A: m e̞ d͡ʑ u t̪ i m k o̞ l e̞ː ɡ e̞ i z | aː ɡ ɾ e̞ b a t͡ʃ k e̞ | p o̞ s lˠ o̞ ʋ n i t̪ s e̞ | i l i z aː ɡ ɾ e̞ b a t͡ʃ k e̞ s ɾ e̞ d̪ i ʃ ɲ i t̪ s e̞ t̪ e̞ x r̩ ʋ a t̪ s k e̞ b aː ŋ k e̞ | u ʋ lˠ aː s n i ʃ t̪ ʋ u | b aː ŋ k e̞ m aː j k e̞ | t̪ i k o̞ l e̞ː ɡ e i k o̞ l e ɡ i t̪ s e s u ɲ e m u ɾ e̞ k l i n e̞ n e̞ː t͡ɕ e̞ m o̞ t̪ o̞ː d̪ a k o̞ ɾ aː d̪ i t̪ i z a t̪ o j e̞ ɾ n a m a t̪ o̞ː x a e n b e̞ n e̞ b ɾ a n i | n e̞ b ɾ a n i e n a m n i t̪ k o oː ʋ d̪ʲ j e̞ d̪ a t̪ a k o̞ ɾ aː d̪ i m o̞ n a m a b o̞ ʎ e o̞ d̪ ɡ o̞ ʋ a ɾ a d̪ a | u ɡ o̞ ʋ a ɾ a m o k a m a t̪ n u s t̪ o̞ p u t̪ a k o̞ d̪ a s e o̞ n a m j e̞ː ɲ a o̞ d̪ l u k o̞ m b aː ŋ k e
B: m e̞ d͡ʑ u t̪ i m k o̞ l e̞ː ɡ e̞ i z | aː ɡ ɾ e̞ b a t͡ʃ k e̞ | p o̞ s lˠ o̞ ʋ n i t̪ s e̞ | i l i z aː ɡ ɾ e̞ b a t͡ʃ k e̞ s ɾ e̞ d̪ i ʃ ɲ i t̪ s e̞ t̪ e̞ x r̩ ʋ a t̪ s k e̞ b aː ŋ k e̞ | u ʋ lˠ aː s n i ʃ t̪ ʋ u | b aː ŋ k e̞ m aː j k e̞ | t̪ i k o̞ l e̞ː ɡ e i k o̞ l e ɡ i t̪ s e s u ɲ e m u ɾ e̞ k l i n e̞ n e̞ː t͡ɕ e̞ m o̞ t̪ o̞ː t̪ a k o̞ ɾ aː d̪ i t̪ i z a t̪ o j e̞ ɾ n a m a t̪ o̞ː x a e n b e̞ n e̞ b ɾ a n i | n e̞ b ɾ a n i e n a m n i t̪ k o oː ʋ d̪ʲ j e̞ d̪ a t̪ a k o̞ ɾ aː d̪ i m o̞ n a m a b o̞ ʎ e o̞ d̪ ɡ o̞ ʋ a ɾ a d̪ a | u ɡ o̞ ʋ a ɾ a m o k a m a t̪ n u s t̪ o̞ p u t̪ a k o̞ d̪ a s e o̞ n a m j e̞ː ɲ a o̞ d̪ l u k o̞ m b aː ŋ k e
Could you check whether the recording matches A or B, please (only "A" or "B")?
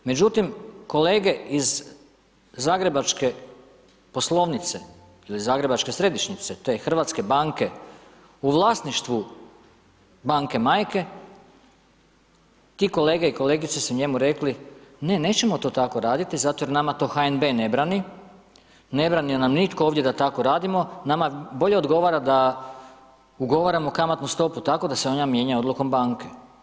B